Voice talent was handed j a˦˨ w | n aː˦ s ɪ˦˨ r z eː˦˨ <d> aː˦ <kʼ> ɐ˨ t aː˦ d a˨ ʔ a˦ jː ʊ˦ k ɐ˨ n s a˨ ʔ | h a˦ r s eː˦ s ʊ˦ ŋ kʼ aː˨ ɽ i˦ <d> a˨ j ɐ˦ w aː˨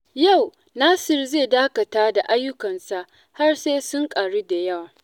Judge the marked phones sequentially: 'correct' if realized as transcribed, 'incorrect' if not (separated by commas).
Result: correct, incorrect, correct